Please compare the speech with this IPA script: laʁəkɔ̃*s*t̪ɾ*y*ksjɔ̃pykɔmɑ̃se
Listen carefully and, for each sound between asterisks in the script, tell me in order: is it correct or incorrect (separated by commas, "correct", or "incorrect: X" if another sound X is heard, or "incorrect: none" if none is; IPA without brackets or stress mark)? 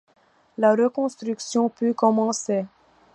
correct, correct